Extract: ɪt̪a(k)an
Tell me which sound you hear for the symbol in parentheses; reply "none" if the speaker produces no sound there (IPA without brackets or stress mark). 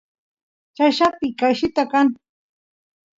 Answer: k